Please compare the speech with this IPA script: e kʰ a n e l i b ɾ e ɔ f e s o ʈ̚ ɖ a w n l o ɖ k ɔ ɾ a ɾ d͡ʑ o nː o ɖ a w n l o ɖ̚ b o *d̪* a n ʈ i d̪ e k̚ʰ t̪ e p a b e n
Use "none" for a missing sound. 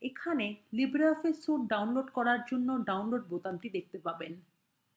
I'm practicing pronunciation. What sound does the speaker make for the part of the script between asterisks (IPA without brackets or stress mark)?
t̪